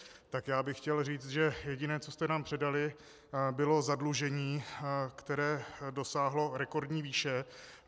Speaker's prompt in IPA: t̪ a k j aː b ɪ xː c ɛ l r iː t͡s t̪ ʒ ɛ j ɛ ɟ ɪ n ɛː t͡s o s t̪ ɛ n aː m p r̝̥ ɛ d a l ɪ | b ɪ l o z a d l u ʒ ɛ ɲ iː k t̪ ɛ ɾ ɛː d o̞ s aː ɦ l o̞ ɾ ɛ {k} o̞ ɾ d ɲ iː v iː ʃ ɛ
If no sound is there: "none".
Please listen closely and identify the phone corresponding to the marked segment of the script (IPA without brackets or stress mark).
k